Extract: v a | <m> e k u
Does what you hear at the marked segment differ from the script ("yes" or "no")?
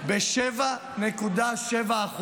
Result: yes